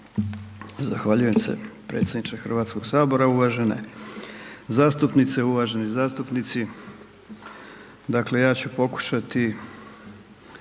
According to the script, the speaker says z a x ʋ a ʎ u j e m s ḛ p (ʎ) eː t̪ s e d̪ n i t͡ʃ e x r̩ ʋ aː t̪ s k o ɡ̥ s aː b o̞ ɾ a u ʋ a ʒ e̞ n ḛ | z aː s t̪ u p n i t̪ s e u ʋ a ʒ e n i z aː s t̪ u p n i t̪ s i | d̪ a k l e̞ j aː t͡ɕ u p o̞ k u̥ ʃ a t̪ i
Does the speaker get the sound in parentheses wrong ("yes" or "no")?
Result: yes